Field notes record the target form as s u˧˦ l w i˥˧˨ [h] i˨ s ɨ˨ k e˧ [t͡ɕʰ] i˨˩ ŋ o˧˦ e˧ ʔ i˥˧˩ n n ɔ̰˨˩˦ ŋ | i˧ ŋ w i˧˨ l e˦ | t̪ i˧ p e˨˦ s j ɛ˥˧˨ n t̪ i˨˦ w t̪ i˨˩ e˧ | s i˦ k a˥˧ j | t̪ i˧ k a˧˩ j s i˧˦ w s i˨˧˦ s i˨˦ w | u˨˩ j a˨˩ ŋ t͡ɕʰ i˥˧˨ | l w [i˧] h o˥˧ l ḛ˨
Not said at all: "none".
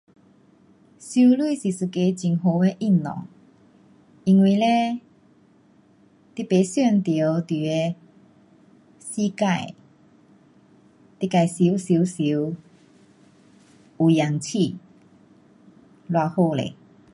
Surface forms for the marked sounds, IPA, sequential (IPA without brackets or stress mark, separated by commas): s, t͡ɕ, a˧